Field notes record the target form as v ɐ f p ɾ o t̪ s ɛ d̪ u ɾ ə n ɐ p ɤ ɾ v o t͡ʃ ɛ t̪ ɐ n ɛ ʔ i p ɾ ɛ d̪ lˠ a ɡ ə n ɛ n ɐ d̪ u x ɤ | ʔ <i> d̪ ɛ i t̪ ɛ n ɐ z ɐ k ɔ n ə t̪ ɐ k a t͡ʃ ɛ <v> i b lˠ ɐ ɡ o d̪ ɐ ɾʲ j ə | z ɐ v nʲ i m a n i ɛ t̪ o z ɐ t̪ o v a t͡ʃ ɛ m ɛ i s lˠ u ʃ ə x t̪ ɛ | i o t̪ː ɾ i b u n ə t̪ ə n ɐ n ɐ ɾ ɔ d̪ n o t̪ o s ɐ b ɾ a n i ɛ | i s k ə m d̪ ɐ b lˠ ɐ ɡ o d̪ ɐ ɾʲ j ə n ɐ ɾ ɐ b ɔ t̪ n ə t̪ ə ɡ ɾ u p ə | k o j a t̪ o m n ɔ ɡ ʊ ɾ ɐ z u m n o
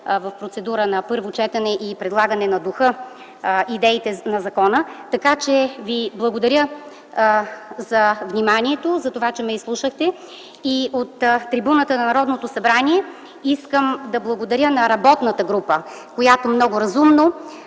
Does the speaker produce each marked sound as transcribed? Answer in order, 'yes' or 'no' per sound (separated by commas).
yes, yes